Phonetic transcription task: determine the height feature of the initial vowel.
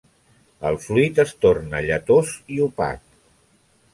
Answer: mid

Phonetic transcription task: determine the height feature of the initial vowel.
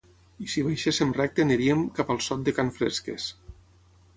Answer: high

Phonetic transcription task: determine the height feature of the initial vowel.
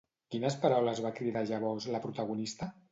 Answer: high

